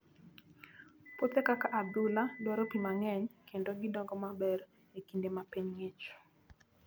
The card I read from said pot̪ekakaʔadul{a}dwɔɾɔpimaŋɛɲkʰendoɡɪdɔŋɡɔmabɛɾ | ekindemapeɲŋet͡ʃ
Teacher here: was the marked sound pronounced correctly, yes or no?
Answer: yes